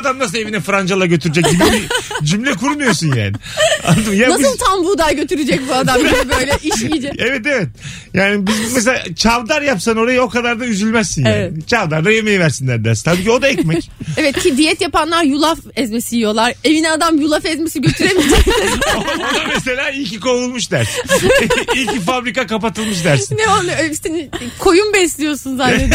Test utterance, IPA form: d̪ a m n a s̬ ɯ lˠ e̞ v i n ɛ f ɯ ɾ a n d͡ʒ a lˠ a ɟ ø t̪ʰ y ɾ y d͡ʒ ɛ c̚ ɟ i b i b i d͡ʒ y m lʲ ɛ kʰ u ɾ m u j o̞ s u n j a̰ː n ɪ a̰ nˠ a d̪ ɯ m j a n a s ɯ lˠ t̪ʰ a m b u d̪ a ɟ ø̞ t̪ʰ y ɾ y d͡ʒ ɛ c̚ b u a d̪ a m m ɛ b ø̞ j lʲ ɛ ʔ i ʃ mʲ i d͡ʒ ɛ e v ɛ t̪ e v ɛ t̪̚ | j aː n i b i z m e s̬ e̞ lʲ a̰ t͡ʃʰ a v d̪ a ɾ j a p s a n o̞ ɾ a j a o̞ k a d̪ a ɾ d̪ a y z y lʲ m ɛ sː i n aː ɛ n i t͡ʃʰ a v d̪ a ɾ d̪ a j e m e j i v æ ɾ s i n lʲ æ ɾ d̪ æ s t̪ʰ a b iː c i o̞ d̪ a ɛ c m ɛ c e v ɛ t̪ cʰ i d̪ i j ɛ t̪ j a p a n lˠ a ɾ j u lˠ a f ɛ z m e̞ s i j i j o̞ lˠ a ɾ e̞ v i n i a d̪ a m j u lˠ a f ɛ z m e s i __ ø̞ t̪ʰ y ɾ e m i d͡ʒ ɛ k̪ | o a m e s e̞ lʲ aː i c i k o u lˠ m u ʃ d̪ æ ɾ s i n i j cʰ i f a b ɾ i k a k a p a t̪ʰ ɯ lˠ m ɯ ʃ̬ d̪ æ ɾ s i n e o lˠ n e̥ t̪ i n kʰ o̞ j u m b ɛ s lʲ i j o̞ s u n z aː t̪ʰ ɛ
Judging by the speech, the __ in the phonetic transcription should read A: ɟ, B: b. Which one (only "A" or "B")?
A